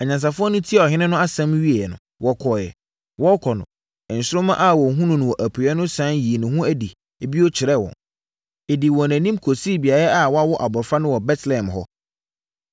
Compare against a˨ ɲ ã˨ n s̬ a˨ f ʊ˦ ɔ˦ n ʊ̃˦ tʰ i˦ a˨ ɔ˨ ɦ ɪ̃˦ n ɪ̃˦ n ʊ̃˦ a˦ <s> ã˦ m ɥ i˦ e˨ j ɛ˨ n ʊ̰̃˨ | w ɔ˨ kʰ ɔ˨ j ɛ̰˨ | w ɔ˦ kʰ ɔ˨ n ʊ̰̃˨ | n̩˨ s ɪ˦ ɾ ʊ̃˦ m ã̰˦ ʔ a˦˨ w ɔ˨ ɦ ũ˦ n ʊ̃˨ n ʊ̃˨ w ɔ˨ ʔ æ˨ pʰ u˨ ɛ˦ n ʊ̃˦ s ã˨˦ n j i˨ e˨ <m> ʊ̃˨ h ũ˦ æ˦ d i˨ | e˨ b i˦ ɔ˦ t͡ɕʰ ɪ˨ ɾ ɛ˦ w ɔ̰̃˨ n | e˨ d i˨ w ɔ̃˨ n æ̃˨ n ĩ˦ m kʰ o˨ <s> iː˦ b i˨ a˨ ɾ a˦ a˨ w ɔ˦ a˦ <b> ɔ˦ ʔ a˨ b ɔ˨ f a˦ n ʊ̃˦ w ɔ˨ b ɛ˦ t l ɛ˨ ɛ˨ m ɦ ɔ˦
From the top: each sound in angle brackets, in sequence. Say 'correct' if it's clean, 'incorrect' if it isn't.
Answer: correct, incorrect: n, correct, incorrect: w

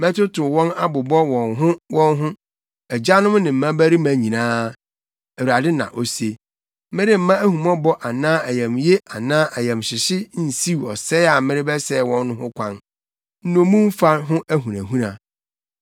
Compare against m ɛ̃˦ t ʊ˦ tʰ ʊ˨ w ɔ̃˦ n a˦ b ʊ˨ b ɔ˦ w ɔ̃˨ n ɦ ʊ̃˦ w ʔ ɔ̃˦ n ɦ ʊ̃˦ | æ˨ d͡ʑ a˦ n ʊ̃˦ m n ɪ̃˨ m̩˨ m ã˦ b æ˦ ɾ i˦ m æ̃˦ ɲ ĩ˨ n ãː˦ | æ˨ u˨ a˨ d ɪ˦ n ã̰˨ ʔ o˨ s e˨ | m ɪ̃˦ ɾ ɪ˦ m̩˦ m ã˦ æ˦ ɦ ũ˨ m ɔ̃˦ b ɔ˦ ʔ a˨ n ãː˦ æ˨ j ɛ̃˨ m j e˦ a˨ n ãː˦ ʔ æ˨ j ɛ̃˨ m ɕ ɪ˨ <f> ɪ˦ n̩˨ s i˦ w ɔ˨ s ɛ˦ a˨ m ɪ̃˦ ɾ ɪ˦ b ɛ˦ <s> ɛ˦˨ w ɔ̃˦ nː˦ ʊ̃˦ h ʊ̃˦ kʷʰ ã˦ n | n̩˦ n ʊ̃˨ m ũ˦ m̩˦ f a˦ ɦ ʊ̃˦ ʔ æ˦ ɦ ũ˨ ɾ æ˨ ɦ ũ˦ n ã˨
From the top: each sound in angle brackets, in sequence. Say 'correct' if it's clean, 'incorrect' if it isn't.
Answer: incorrect: ɕ, correct

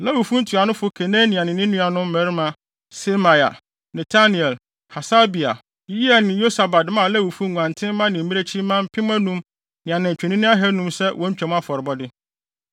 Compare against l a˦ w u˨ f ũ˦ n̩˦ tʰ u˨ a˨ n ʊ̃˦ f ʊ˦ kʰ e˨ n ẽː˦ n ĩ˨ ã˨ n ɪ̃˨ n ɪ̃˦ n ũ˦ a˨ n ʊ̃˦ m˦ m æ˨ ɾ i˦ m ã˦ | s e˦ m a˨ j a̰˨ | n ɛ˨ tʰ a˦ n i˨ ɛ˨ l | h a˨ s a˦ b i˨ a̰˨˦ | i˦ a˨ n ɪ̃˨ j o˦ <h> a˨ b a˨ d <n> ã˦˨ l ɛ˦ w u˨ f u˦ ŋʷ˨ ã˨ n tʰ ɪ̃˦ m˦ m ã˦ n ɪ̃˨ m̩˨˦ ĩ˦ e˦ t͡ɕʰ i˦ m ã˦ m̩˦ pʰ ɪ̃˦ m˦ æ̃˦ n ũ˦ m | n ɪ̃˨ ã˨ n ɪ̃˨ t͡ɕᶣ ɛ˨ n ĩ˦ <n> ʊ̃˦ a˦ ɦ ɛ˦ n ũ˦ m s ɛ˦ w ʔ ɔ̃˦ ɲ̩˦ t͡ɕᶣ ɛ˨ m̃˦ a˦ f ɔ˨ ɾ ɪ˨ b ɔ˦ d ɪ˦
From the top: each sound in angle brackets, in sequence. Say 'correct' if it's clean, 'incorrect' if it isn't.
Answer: incorrect: s, incorrect: m, correct

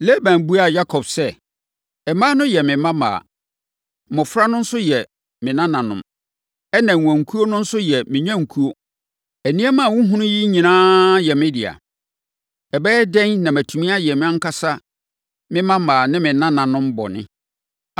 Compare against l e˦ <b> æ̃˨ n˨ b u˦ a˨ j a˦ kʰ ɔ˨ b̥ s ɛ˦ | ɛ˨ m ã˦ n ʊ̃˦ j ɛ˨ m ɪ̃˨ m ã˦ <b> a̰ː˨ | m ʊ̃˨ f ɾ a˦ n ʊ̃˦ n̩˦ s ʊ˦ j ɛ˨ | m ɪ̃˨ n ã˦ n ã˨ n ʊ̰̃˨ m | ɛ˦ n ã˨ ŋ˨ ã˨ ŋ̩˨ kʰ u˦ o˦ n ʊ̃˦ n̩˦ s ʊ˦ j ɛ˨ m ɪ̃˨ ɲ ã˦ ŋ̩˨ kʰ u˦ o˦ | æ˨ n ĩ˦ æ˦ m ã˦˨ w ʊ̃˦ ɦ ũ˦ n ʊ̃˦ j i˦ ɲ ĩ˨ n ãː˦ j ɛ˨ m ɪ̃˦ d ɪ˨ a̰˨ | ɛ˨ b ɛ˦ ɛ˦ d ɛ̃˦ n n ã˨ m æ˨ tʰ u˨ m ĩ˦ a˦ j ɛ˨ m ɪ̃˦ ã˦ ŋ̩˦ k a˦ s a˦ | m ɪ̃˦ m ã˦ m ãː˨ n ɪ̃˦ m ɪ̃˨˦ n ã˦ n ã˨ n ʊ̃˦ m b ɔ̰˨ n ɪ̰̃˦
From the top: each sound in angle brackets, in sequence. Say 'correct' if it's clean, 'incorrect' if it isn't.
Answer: correct, incorrect: m

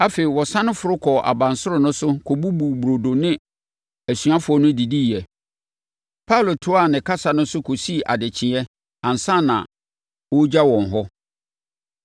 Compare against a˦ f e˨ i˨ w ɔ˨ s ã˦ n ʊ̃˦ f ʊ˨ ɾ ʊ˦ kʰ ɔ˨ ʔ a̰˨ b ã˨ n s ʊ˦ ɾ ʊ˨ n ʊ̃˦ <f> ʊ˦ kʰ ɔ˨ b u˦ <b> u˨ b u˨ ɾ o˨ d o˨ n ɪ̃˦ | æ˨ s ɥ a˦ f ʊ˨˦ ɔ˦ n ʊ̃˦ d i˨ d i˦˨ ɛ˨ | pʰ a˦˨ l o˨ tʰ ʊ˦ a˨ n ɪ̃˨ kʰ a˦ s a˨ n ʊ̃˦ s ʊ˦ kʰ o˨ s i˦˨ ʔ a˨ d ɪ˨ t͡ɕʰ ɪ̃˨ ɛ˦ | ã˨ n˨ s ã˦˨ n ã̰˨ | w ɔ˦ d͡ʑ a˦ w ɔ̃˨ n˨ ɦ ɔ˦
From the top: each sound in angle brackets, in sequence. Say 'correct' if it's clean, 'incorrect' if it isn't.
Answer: incorrect: s, correct

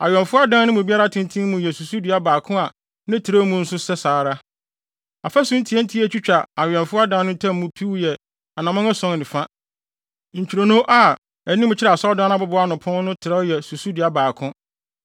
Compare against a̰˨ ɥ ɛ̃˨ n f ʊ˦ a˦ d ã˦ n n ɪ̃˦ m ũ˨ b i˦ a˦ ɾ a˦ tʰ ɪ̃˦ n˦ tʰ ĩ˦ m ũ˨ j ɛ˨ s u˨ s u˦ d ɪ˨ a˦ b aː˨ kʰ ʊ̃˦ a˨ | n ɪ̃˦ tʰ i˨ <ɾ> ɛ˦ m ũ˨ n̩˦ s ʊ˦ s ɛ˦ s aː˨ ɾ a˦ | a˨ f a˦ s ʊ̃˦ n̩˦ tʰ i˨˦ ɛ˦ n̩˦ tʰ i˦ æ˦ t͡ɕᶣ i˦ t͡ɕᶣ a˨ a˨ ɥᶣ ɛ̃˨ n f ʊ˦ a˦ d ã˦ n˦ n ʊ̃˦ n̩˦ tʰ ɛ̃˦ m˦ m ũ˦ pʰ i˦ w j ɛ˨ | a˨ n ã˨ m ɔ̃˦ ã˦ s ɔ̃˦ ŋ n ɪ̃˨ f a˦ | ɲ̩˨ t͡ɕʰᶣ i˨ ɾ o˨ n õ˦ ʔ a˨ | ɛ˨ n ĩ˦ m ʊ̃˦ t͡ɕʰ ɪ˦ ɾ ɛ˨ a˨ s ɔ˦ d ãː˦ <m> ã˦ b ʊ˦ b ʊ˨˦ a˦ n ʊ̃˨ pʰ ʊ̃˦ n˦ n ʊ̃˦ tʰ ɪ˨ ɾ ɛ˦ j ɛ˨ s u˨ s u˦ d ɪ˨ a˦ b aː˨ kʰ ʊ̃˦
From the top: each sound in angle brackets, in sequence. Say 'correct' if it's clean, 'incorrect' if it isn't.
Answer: correct, incorrect: n

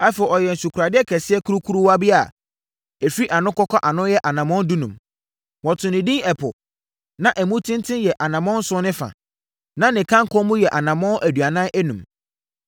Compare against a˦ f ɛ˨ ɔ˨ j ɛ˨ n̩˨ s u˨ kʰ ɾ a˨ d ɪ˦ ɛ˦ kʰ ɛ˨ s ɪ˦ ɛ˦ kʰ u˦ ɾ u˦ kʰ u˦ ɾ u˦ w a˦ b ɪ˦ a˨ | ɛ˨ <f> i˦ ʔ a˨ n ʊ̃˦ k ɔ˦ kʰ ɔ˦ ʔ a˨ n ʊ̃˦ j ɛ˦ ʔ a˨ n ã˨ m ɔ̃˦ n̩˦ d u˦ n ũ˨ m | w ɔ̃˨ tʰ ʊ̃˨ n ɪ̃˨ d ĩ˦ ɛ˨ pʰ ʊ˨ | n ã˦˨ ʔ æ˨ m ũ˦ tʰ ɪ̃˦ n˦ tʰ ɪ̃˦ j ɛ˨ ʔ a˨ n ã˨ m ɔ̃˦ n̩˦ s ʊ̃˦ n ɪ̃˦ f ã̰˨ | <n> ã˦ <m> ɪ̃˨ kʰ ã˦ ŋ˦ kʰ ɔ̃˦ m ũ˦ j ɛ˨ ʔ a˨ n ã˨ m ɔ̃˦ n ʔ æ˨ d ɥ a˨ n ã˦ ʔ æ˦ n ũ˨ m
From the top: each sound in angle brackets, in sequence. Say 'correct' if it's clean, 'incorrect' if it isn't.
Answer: correct, correct, incorrect: n

